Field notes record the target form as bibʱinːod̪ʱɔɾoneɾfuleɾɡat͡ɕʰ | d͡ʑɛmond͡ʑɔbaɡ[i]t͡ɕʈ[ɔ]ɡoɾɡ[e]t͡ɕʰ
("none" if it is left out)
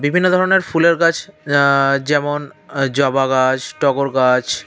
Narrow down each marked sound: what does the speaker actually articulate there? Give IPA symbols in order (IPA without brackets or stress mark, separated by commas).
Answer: a, ɔ, a